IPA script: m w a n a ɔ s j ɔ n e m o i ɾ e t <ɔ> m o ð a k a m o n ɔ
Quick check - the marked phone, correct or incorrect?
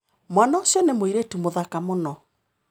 incorrect